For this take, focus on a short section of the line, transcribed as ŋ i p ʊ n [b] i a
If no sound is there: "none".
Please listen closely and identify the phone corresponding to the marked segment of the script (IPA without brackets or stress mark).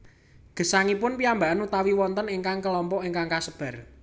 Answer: p